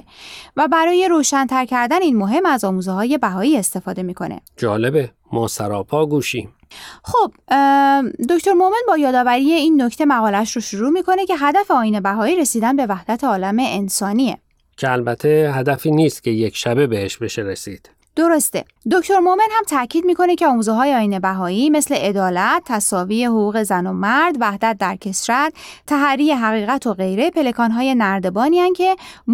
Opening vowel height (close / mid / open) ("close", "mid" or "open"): open